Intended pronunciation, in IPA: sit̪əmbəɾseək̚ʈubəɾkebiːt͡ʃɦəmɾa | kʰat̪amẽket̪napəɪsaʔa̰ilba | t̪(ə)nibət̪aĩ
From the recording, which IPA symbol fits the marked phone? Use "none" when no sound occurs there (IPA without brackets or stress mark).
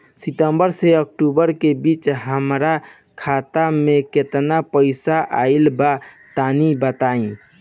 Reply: a